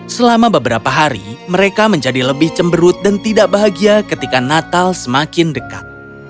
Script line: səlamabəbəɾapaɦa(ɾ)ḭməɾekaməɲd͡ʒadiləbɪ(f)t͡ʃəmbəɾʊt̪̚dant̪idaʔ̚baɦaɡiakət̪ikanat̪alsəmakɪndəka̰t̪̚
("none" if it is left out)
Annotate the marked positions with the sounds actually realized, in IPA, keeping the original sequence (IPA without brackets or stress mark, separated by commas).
ɾ, h